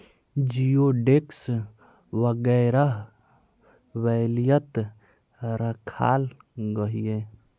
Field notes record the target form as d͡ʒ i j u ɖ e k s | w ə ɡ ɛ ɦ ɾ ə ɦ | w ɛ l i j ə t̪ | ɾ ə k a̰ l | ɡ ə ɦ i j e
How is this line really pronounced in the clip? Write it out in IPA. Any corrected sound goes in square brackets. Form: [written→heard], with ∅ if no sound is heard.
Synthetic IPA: d͡ʒ i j [u→o] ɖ e k s | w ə ɡ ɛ [ɦ→∅] ɾ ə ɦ | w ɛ l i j ə t̪ | ɾ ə [k→kʰ] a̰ l | ɡ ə ɦ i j e